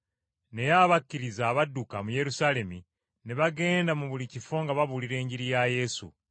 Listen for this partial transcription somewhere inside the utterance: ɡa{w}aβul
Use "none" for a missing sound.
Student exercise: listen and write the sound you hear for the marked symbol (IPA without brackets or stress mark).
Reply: β